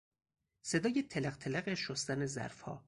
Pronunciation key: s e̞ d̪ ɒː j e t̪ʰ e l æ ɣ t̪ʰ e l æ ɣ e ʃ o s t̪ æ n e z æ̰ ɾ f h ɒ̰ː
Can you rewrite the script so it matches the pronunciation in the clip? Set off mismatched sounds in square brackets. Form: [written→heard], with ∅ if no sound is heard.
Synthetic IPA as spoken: s e̞ d̪ ɒː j e t̪ʰ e l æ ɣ t̪ʰ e l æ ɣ e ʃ o s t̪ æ n e z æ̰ ɾ f h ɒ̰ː